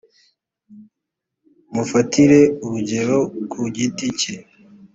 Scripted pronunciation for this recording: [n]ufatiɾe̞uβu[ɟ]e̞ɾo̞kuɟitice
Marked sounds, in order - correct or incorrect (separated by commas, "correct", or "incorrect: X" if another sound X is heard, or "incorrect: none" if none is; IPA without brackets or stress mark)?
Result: incorrect: m, correct